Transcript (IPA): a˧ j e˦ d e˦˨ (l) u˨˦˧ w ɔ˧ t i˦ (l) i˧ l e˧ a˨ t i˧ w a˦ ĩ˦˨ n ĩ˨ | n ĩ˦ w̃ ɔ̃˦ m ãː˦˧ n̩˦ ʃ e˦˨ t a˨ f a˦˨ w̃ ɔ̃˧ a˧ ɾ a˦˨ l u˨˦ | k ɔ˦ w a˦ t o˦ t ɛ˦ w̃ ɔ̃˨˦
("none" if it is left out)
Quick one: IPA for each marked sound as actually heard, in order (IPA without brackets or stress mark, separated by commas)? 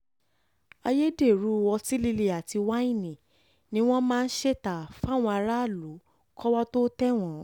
ɾ, l